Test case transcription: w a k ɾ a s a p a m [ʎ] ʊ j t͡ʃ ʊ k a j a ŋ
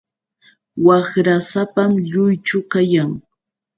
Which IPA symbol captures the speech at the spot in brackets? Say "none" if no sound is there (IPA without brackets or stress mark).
ʎ